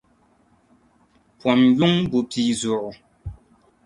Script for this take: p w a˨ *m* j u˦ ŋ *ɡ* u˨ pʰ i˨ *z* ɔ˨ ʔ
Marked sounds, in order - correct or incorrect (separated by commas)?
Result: correct, incorrect, correct